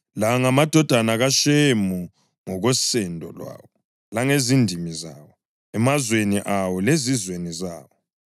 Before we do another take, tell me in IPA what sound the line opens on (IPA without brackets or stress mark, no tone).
l